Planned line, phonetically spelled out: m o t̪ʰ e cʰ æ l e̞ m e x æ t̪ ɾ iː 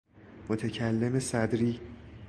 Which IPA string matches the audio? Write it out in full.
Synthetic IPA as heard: m o t̪ʰ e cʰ æ lː e̞ m e s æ d̪ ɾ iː